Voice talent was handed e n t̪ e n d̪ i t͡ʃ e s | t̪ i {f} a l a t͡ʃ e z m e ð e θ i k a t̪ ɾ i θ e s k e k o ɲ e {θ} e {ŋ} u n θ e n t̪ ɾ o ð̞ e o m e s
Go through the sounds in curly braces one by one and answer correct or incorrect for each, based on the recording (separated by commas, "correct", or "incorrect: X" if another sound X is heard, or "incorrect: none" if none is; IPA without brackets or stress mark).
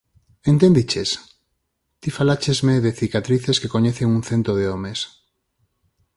correct, correct, correct